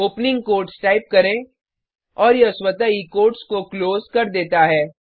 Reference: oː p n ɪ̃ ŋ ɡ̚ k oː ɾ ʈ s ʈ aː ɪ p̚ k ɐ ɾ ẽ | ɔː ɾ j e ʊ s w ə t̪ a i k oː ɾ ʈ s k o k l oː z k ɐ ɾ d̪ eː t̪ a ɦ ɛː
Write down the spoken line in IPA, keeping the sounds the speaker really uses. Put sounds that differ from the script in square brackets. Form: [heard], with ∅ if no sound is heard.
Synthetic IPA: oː p n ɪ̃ ŋ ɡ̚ k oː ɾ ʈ s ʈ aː ɪ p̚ k ɐ ɾ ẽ | ɔː ɾ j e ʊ s w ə t̪ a i k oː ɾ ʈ s k o k l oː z k ɐ ɾ d̪ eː t̪ a ɦ ɛː

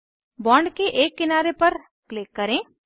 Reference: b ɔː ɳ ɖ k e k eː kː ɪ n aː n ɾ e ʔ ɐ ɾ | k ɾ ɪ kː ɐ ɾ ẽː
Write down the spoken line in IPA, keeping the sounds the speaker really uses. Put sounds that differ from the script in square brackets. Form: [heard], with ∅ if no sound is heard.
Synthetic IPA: b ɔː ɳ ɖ k e [ʔ] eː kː ɪ n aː [∅] ɾ e [p] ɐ ɾ | k [l] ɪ kː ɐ ɾ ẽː

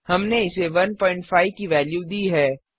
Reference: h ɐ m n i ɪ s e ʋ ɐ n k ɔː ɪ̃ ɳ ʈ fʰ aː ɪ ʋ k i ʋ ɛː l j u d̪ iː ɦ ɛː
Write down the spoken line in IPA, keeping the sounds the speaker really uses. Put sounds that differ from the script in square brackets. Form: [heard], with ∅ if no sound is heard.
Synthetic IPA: h ɐ m n [e] ɪ s e ʋ ɐ n [p] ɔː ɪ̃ ɳ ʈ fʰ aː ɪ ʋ k i ʋ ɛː l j u d̪ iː ɦ ɛː

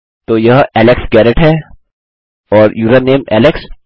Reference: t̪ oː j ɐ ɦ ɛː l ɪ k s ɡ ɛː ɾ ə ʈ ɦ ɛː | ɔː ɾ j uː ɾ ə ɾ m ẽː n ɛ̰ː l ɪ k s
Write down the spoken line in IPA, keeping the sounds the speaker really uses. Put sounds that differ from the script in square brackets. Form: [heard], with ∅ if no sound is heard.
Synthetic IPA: t̪ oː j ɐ ɦ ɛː l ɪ k s ɡ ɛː ɾ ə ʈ ɦ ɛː | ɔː ɾ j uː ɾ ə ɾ [n] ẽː [m] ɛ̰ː l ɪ k s

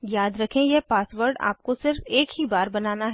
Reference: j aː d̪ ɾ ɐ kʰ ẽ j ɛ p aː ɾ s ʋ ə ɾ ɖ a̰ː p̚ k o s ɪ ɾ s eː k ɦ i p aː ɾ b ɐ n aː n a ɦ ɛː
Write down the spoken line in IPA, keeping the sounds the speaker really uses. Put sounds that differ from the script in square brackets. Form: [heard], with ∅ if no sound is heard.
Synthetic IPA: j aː d̪ ɾ ɐ kʰ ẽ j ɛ p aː [∅] s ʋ ə ɾ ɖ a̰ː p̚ k o s ɪ ɾ [f] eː k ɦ i [b] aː ɾ b ɐ n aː n a ɦ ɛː

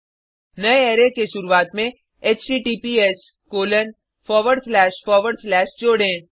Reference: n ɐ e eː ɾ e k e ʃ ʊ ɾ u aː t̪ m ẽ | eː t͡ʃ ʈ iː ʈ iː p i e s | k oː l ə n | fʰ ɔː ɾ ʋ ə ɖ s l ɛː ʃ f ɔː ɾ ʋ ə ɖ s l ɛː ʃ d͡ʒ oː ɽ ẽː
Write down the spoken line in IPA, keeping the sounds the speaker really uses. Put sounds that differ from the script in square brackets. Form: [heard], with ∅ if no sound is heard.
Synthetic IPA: n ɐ e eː ɾ e k e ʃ ʊ ɾ u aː t̪ m ẽ | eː t͡ʃ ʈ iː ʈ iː p i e s | k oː l ə n | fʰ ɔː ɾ ʋ ə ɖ s l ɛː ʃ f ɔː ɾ ʋ ə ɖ s l ɛː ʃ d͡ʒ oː ɽ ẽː

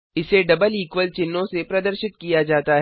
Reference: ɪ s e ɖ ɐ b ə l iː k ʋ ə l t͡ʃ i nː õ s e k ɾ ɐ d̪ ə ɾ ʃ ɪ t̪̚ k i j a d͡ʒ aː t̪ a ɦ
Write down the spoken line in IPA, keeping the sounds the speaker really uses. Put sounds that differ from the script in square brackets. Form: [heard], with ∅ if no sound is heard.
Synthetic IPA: ɪ s e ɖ ɐ b ə l iː k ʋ ə l t͡ʃ [ɪ] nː õ s e [p] ɾ ɐ d̪ ə ɾ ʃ ɪ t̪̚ k i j a d͡ʒ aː t̪ a ɦ

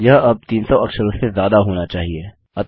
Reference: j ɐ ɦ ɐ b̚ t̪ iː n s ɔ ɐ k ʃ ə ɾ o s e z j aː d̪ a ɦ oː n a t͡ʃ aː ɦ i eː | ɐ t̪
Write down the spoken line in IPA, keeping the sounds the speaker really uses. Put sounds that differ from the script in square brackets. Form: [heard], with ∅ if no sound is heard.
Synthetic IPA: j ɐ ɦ ɐ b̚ t̪ iː n s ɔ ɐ k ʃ ə ɾ o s e z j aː d̪ a ɦ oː n a t͡ʃ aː ɦ i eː | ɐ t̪

